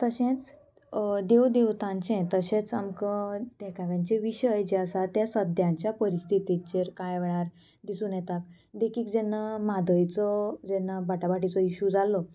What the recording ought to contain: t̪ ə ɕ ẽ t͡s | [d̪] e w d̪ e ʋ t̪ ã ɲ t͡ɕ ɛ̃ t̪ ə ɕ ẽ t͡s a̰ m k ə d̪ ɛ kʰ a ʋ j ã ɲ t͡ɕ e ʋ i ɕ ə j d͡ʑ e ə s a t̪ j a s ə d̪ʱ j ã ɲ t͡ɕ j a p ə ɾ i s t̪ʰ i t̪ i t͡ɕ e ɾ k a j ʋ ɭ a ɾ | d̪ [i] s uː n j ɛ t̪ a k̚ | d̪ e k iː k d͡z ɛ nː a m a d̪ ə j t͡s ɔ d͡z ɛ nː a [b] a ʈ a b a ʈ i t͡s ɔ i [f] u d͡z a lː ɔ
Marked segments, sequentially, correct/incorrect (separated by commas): correct, correct, correct, incorrect